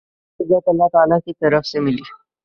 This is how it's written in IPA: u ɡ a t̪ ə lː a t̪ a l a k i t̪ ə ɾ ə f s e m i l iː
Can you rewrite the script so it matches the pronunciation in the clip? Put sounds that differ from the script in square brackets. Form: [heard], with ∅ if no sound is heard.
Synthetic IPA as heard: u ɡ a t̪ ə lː a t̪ a l a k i t̪ ə ɾ ə f s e m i l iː

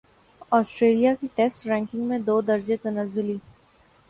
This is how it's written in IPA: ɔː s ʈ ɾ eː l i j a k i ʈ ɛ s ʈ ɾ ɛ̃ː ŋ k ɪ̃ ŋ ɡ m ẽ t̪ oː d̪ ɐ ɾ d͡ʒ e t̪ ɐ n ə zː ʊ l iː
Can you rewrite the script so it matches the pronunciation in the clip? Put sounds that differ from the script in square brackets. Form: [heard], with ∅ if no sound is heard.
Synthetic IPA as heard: ɔː s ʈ ɾ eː l i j a k i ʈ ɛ s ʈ ɾ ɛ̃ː ŋ k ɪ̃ ŋ ɡ m ẽ [d̪] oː d̪ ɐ ɾ d͡ʒ e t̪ ɐ n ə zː ʊ l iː

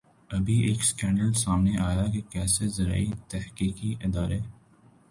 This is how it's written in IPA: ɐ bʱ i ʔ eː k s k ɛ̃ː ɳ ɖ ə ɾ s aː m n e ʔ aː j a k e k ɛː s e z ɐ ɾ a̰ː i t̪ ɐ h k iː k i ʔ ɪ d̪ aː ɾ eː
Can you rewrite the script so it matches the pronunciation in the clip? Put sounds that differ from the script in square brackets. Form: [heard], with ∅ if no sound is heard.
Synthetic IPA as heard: ɐ bʱ i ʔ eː k s k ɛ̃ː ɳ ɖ ə [l] s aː m n e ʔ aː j a k e k ɛː s e z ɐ ɾ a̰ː i t̪ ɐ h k iː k i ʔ ɪ d̪ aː ɾ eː

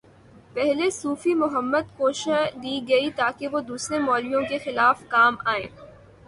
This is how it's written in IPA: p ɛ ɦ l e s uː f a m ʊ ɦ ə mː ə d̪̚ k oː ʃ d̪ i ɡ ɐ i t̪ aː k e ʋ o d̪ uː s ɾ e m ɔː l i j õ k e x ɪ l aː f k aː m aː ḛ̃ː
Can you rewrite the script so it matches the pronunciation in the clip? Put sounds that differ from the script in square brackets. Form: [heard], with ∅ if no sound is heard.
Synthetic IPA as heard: p ɛ ɦ l e s uː f [i] m ʊ ɦ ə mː ə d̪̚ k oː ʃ d̪ i ɡ ɐ i t̪ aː k e ʋ o d̪ uː s ɾ e m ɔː l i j õ k e x ɪ l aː f k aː m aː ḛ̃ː

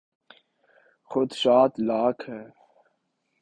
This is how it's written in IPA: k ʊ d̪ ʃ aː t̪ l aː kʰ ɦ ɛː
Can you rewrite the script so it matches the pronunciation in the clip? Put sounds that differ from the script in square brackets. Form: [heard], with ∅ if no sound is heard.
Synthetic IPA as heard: [x] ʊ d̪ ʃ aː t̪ l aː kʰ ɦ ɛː

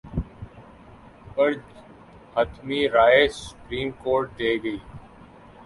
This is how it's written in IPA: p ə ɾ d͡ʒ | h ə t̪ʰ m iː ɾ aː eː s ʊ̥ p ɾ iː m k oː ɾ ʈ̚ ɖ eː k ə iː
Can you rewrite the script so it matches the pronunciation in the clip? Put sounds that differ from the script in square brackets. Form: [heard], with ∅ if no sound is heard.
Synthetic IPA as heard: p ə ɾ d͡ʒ | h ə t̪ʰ m iː ɾ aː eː s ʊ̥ p ɾ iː m k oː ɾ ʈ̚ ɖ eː [ɡ] ə iː

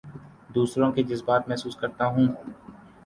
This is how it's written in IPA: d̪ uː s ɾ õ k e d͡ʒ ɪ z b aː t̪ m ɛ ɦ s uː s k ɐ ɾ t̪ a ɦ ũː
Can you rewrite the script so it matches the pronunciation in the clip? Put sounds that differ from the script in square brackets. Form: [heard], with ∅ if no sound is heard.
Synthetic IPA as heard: d̪ uː s ɾ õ k e d͡ʒ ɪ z b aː t̪ m ɛ ɦ s uː s k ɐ ɾ t̪ a ɦ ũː

